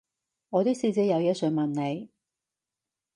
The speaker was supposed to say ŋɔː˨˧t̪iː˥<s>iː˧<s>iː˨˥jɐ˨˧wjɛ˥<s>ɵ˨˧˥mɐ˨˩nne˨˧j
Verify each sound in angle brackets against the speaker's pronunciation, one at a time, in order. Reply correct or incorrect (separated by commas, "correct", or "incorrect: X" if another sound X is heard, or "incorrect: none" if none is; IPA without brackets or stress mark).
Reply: correct, incorrect: t͡s, correct